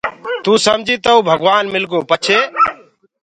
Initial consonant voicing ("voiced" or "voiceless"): voiceless